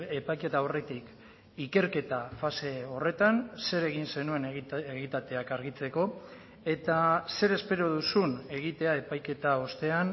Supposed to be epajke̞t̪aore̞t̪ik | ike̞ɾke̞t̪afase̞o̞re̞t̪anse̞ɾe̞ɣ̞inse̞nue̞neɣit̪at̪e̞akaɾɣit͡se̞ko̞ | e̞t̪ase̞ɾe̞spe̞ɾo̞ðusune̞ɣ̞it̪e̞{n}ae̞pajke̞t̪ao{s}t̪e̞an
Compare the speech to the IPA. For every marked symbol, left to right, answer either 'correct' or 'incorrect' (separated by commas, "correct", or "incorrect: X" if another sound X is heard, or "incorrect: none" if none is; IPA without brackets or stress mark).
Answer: incorrect: none, correct